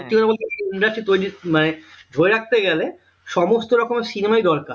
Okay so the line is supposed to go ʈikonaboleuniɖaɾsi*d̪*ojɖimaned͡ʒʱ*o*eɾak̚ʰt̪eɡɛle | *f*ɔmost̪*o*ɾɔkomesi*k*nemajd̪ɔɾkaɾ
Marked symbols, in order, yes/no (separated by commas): no, yes, no, yes, no